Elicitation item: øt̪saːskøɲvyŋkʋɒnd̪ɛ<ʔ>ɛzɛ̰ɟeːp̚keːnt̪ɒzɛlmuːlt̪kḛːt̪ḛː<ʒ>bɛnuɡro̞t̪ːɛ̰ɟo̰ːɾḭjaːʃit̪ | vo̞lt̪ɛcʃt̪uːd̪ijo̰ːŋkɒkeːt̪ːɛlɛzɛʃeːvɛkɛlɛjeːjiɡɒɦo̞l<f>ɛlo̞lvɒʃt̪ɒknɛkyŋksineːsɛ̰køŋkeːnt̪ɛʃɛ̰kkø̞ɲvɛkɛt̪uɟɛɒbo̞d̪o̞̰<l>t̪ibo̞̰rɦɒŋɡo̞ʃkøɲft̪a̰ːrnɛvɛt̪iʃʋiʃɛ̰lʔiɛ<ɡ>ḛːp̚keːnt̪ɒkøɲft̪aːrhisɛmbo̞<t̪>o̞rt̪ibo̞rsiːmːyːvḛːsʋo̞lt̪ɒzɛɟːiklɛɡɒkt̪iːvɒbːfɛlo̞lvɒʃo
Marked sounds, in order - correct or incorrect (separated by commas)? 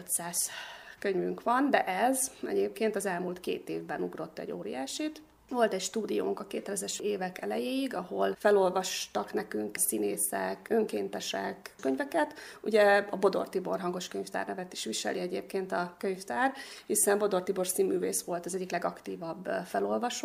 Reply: correct, incorrect, correct, incorrect, incorrect, incorrect